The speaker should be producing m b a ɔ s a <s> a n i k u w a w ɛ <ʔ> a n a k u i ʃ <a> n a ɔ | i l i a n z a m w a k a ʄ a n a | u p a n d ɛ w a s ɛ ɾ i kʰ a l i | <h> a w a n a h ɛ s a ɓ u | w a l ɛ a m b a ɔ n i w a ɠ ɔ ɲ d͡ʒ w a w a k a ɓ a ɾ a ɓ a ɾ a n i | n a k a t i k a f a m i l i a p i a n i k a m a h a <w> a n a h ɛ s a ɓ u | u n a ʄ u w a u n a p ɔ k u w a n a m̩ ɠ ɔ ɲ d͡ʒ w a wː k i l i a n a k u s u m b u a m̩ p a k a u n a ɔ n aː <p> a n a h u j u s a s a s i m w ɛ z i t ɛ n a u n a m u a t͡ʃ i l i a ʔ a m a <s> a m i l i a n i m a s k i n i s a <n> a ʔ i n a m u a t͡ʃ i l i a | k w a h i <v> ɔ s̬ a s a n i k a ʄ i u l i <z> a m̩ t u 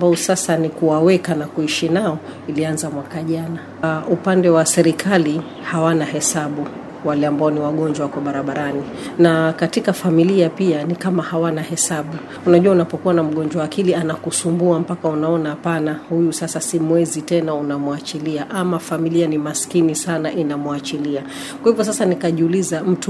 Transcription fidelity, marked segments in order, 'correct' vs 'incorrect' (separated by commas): correct, incorrect, incorrect, correct, correct, correct, incorrect, correct, correct, correct